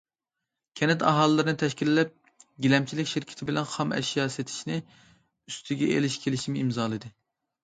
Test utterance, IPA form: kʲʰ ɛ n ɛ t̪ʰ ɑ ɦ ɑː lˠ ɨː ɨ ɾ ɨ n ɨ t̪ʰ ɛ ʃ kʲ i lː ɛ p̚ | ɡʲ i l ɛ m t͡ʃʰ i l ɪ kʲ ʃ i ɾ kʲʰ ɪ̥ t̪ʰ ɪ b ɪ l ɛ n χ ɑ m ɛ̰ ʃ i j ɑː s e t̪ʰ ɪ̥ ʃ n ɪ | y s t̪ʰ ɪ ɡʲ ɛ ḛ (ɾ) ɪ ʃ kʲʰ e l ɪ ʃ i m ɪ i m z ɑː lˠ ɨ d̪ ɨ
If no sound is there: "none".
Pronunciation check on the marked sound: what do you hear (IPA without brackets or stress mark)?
l